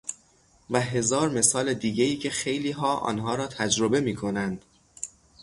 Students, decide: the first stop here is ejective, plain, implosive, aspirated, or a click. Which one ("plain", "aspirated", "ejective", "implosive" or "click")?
plain